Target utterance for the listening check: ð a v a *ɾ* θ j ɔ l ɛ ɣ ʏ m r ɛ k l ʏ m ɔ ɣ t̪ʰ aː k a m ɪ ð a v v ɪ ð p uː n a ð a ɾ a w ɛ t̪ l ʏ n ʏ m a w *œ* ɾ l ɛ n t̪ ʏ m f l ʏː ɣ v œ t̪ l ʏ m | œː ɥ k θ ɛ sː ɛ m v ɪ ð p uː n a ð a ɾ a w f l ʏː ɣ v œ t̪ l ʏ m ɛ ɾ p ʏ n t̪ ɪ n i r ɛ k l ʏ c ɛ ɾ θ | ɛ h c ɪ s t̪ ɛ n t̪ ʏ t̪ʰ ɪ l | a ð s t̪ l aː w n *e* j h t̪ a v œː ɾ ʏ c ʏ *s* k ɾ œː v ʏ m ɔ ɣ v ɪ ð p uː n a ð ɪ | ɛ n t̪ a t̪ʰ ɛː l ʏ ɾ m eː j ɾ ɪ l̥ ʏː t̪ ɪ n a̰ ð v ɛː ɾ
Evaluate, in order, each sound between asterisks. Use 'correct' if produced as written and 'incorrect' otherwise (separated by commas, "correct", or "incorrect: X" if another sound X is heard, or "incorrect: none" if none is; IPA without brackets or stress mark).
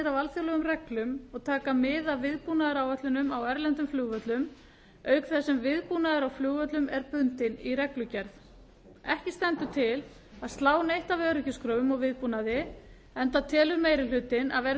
incorrect: l, incorrect: ɛ, correct, correct